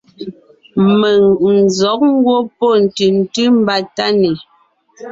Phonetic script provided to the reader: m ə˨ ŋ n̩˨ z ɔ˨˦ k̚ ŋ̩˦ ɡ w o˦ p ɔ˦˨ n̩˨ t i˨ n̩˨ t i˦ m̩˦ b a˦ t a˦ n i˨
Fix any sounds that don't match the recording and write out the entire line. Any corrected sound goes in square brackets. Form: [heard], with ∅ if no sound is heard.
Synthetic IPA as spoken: m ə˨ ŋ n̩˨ z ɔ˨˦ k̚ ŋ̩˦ ɡ w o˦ p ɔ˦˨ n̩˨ t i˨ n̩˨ t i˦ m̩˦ b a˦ t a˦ n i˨